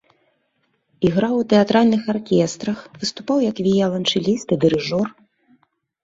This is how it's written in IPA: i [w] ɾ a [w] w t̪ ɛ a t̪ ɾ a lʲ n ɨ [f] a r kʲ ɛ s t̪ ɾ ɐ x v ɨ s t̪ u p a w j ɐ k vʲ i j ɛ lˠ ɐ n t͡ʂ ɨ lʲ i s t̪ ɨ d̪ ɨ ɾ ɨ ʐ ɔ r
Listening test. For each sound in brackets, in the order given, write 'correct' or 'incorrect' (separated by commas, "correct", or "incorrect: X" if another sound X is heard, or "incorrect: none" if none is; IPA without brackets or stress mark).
incorrect: ɣ, correct, incorrect: x